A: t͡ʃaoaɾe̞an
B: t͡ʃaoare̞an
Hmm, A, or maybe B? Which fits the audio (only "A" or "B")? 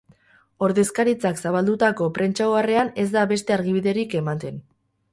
B